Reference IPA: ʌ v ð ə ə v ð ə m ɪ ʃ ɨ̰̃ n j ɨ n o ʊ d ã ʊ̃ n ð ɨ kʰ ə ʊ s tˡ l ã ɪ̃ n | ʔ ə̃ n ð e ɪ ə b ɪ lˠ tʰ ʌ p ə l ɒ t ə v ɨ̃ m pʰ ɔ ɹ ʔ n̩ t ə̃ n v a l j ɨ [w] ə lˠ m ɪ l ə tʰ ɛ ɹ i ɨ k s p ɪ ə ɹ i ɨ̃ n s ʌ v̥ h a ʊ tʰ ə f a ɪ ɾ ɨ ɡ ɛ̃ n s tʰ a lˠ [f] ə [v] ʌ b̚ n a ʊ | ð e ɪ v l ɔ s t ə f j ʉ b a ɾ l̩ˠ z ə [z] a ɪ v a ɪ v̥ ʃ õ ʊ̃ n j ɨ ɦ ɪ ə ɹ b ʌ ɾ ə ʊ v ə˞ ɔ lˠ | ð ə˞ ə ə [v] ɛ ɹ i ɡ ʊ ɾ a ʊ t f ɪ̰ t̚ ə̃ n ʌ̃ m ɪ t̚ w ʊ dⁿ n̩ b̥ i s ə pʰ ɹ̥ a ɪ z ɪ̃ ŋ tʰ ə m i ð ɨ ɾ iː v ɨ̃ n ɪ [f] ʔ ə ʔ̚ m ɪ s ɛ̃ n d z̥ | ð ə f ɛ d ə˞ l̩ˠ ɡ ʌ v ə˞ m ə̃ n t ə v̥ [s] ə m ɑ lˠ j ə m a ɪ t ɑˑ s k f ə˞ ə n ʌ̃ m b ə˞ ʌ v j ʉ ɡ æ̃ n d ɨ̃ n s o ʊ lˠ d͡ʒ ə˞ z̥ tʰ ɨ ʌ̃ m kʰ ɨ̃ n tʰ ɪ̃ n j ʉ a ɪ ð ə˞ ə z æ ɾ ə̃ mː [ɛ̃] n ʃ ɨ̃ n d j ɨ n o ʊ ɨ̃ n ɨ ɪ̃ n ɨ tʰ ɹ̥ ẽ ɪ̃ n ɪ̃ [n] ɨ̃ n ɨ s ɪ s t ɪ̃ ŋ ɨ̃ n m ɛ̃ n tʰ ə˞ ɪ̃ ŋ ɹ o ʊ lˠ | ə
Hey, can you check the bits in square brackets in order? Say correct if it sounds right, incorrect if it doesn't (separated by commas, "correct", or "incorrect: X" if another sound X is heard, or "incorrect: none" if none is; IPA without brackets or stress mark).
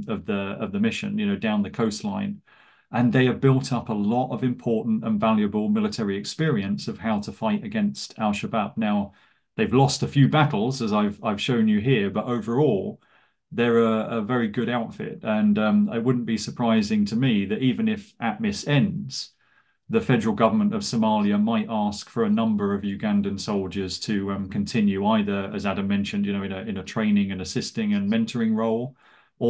incorrect: b, incorrect: ʃ, incorrect: b, correct, correct, correct, correct, correct, incorrect: ŋ